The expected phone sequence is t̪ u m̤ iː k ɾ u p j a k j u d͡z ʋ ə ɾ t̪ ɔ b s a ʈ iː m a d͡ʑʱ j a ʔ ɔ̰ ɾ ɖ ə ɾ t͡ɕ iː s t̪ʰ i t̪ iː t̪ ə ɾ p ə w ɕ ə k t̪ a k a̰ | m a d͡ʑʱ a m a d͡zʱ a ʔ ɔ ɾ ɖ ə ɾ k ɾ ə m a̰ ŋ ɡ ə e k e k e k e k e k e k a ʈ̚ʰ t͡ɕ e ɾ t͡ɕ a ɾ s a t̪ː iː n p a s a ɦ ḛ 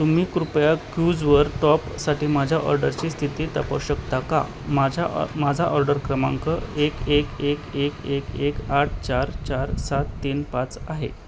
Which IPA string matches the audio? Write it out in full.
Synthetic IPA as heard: t̪ u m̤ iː k ɾ u p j a k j u d͡z ʋ ə ɾ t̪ ɔ p s a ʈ iː m a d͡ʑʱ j a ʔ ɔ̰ ɾ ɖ ə ɾ t͡ɕ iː s t̪ʰ i t̪ iː t̪ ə p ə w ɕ ə k t̪ a k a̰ | m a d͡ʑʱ a m a d͡zʱ a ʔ ɔ ɾ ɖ ə ɾ k ɾ ə m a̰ ŋ k ə e k e k e k e k e k e k a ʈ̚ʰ t͡ɕ a ɾ t͡ɕ a ɾ s a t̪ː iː n p a t͡s a ɦ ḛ